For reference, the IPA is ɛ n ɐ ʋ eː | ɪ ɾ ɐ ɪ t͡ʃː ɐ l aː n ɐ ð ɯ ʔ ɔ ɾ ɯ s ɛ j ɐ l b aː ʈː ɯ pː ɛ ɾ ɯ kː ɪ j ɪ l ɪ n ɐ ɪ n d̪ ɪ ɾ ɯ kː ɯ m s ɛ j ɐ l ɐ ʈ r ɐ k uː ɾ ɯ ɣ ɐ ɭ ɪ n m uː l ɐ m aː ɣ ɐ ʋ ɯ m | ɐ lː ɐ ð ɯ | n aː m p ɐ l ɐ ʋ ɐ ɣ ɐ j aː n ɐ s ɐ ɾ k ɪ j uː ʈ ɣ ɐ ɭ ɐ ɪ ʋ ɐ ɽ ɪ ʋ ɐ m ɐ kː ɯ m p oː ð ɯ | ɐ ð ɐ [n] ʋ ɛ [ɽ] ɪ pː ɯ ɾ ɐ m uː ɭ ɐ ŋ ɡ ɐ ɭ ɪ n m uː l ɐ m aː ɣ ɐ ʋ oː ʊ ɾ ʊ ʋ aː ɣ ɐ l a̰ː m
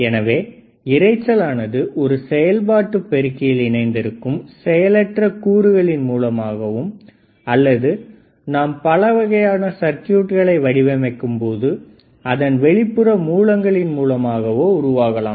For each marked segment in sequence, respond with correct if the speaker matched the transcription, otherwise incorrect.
correct, incorrect

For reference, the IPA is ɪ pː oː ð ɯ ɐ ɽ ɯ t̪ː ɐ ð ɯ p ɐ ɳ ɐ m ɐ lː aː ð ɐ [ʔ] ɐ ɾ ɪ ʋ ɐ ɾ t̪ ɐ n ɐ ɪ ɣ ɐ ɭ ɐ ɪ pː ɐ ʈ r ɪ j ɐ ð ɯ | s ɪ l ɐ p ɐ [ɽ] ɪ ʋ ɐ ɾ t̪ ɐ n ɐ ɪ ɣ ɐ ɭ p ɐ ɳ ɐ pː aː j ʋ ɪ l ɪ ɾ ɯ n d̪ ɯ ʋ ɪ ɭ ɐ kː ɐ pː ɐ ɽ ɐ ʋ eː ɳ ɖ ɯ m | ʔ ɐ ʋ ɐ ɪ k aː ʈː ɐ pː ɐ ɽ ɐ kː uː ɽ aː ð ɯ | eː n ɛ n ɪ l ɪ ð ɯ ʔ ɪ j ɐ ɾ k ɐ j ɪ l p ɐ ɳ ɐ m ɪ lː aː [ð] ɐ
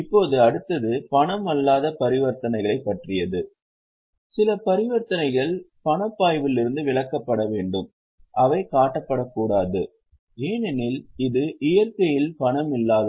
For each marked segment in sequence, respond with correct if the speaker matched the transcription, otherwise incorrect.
incorrect, incorrect, correct

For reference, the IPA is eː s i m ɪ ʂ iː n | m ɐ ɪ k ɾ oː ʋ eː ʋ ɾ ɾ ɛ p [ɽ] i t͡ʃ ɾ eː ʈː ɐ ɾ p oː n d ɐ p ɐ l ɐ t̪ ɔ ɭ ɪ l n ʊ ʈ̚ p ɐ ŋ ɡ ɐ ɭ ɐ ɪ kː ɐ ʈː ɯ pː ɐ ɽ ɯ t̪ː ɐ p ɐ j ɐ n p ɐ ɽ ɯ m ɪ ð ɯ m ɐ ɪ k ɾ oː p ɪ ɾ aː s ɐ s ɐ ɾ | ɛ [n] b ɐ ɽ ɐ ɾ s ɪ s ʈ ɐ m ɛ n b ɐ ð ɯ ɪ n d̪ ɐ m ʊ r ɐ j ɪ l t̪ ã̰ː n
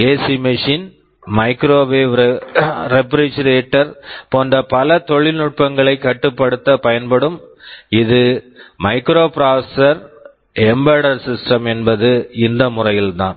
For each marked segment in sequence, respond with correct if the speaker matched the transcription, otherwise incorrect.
incorrect, incorrect

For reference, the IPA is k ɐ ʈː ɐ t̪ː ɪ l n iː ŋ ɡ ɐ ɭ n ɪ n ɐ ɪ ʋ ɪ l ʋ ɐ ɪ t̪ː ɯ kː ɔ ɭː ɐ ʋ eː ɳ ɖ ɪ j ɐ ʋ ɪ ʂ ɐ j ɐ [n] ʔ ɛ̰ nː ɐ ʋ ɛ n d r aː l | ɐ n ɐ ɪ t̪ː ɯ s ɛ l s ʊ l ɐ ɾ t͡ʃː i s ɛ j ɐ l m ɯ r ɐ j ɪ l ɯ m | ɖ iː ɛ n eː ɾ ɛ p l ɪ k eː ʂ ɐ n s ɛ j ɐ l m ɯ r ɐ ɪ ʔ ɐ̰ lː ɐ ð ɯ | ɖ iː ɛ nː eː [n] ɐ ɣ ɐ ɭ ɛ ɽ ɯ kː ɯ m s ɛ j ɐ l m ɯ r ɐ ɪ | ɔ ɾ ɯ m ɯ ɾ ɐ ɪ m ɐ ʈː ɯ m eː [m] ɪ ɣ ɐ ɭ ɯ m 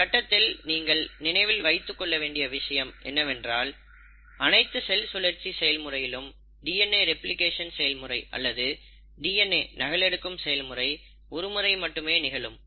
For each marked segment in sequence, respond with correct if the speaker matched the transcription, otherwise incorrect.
incorrect, correct, incorrect

